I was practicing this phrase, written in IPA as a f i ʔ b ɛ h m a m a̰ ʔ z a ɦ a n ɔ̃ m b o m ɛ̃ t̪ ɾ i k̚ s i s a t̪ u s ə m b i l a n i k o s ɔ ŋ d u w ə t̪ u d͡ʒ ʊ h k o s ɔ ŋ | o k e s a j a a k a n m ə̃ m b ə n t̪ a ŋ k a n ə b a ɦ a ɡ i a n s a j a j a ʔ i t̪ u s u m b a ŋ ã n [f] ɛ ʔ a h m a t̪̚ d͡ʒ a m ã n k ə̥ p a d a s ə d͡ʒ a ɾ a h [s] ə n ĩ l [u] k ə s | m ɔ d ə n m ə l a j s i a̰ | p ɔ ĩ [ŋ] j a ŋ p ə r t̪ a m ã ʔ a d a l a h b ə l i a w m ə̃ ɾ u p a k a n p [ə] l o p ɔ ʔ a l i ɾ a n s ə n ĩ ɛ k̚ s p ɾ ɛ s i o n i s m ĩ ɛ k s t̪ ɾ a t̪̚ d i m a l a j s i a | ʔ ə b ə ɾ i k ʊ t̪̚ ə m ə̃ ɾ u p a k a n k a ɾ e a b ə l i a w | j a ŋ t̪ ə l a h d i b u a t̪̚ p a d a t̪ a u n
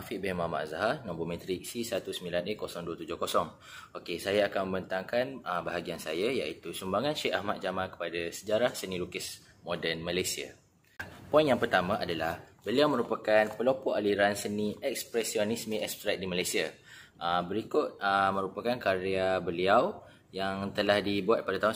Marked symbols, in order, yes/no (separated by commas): no, yes, yes, no, yes